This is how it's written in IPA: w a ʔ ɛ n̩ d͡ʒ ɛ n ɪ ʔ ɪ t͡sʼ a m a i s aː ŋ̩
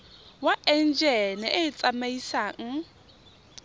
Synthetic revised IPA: w a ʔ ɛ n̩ d͡ʒ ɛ n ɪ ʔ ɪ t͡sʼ a m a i s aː ŋ̩